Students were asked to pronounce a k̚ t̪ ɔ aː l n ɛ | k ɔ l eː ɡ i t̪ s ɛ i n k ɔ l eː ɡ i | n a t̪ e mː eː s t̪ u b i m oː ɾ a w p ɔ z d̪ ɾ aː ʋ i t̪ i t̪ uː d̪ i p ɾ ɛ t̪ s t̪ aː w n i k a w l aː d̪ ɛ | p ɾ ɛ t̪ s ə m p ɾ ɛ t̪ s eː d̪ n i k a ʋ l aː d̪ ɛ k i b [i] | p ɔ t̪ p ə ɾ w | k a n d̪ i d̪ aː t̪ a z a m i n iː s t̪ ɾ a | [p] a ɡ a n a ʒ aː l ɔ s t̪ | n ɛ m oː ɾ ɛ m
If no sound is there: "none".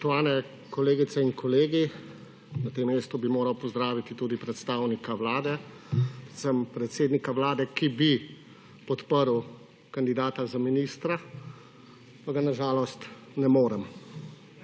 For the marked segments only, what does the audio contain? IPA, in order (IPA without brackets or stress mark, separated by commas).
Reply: i, p